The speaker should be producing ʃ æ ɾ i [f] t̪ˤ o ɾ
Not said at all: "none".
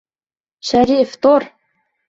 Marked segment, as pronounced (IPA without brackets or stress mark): f